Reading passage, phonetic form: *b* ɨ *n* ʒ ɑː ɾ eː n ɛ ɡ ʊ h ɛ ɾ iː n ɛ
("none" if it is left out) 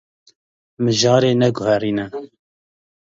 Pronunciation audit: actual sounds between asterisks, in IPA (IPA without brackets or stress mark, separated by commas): m, none